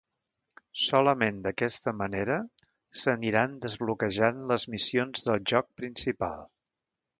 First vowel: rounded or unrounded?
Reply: rounded